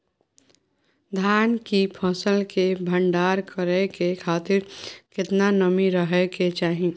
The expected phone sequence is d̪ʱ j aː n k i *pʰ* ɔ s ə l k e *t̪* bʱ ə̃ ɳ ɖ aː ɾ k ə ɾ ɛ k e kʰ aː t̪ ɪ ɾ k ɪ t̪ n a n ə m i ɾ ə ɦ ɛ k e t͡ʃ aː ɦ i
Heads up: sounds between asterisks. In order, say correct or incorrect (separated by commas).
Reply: correct, incorrect